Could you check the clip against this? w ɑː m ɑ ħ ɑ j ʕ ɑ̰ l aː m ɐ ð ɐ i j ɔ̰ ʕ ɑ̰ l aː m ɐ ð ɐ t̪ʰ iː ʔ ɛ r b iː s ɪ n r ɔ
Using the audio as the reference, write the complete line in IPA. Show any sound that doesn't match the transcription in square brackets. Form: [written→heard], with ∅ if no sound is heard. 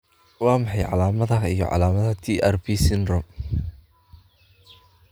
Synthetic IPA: w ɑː m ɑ ħ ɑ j ʕ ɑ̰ l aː m ɐ ð ɐ i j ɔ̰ ʕ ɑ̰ l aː m ɐ ð ɐ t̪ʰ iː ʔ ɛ r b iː s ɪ n r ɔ